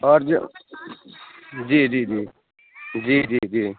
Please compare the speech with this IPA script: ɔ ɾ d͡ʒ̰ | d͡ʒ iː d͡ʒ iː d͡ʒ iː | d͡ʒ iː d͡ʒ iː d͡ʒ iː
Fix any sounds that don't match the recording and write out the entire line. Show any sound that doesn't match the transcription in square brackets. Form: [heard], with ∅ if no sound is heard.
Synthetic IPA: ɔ ɾ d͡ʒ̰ | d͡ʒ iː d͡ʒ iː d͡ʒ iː | d͡ʒ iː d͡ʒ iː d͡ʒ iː